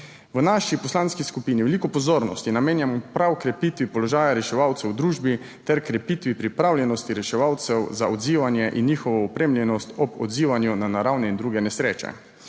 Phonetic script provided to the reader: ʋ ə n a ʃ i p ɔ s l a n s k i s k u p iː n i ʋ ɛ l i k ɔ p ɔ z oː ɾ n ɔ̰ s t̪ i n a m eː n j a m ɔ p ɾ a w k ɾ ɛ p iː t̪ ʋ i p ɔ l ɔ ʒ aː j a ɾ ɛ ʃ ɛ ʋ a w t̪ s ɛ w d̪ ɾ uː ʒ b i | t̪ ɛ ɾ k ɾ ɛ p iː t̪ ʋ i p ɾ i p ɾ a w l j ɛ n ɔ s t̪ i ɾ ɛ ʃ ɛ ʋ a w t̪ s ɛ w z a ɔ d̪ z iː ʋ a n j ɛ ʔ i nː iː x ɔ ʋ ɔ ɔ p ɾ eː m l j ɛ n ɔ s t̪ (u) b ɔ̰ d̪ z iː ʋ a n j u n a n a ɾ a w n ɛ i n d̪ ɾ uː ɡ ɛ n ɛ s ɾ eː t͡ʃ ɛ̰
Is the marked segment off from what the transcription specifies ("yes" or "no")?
yes